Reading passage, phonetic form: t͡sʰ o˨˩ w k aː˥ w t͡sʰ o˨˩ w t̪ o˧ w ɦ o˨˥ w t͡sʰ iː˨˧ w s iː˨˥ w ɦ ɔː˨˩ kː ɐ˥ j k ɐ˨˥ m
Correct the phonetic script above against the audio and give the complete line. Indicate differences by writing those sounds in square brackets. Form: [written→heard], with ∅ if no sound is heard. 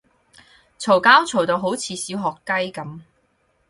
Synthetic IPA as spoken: t͡sʰ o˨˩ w k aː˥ w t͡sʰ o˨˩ w t̪ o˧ w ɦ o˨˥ w t͡sʰ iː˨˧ [w→∅] s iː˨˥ w ɦ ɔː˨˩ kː ɐ˥ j k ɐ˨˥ m